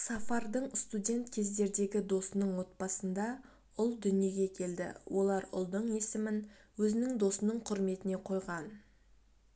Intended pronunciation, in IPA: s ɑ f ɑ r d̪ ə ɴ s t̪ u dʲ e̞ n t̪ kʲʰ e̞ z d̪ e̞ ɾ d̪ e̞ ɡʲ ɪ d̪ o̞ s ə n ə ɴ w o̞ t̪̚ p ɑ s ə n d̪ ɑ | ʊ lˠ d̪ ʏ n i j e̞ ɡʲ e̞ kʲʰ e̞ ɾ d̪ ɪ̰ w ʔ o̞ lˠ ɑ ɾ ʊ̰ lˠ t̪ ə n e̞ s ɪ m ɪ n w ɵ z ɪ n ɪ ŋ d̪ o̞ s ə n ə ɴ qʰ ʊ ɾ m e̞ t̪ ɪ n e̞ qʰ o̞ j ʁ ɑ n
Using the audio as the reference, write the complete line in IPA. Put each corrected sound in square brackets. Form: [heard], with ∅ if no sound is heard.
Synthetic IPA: s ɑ f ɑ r d̪ ə ɴ s t̪ u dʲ e̞ n t̪ kʲʰ e̞ z d̪ e̞ ɾ d̪ e̞ ɡʲ ɪ d̪ o̞ s ə n ə ɴ w o̞ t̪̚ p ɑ s ə n d̪ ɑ | ʊ lˠ d̪ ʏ n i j e̞ ɡʲ e̞ kʲʰ e̞ [l] d̪ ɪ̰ w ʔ o̞ lˠ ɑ ɾ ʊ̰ lˠ [d̪] ə [ɴ] e̞ s ɪ m ɪ n w ɵ z ɪ n ɪ ŋ d̪ o̞ s ə n ə ɴ qʰ ʊ ɾ m e̞ t̪ ɪ n e̞ qʰ o̞ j ʁ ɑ n

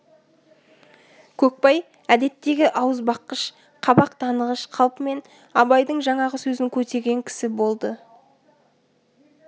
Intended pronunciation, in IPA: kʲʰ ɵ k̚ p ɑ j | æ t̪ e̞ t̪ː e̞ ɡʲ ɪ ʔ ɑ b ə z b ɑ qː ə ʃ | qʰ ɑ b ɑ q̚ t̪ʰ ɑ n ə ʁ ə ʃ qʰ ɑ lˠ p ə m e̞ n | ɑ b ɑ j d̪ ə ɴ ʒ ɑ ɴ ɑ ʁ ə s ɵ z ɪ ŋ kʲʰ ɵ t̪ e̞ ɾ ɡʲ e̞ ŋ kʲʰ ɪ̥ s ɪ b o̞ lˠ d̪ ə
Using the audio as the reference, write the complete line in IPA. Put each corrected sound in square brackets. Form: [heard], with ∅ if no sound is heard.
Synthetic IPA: kʲʰ ɵ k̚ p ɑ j | æ [d̪] e̞ t̪ː e̞ ɡʲ ɪ ʔ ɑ [w] ə z b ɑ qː ə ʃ | qʰ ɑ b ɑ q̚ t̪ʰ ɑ n ə ʁ ə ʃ qʰ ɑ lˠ p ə m e̞ n | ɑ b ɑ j d̪ ə ɴ ʒ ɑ ɴ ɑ ʁ ə s ɵ z ɪ ŋ kʲʰ ɵ t̪ e̞ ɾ ɡʲ e̞ ŋ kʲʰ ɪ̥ s ɪ b o̞ lˠ d̪ ə

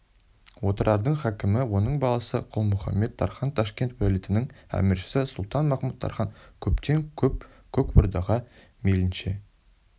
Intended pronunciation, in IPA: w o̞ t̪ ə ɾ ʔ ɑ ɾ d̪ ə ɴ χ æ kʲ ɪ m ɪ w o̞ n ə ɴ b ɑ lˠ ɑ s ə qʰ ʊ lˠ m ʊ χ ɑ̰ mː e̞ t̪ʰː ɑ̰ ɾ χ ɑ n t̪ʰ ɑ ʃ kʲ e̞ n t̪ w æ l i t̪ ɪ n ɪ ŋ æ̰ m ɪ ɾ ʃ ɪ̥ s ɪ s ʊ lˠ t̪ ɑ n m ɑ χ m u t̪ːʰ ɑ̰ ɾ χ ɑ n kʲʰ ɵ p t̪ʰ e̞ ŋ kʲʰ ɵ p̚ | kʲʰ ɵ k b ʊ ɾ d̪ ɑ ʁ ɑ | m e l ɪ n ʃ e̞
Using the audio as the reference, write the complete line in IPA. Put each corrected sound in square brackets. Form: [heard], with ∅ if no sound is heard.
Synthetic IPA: w o̞ t̪ ə ɾ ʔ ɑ ɾ d̪ ə ɴ χ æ kʲ ɪ m ɪ w o̞ n ə ɴ b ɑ lˠ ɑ s ə qʰ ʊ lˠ m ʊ χ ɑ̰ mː e̞ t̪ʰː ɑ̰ ɾ χ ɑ n t̪ʰ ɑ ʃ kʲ e̞ n t̪ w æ l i t̪ ɪ n ɪ ŋ æ̰ m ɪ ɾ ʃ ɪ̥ s ɪ s ʊ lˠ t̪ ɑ n m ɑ χ m u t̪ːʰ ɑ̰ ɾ χ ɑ n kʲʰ ɵ p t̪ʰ e̞ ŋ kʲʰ ɵ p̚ | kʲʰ ɵ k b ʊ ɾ d̪ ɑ ʁ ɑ | m e l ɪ n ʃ e̞

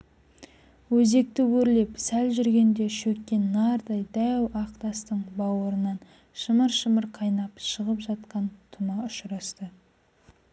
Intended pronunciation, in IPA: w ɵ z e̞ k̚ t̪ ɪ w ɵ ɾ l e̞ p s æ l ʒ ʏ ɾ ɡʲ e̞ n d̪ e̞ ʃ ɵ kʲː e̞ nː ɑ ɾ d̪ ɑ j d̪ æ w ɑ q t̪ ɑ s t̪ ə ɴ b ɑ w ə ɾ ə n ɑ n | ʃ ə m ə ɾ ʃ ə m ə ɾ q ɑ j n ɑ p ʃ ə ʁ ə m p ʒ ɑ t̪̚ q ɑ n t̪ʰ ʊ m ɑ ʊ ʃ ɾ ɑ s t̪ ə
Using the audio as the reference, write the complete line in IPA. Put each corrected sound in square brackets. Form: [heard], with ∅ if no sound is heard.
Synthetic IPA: w ɵ z e̞ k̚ t̪ ɪ w ɵ ɾ l e̞ p s æ l ʒ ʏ ɾ ɡʲ e̞ n d̪ e̞ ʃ ɵ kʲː e̞ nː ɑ ɾ d̪ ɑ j d̪ æ w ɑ q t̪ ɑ s t̪ ə ɴ b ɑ w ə ɾ ə n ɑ n | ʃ ə m ə ɾ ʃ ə m ə ɾ [qʰ] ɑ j n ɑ p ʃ ə ʁ ə [∅] p ʒ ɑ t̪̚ q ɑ n t̪ʰ ʊ m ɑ ʊ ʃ ɾ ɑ s t̪ ə

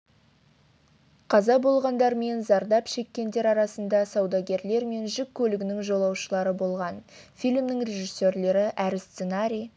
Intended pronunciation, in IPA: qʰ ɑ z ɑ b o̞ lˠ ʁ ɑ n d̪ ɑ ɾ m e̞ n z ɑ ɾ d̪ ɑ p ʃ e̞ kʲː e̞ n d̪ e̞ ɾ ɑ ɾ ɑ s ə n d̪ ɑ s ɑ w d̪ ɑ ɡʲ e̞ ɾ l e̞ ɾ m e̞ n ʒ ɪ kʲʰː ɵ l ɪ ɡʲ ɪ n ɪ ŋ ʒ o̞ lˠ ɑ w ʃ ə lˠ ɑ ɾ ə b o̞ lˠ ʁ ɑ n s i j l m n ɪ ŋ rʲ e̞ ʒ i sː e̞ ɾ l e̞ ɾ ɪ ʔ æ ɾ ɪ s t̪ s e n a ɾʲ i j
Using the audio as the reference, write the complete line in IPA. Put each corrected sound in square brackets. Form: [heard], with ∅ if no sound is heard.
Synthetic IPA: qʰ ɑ z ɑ b o̞ lˠ ʁ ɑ n d̪ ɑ ɾ m e̞ n z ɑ ɾ d̪ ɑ p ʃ e̞ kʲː e̞ n d̪ e̞ ɾ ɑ ɾ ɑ s ə n d̪ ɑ s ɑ w d̪ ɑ ɡʲ e̞ ɾ l e̞ ɾ m e̞ n ʒ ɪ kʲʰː ɵ l ɪ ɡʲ ɪ n ɪ ŋ ʒ o̞ lˠ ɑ w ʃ ə lˠ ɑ ɾ ə b o̞ lˠ ʁ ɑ n [f] i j l m n ɪ ŋ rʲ e̞ ʒ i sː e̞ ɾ l e̞ ɾ ɪ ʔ æ ɾ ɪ s t̪ s e n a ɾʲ i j

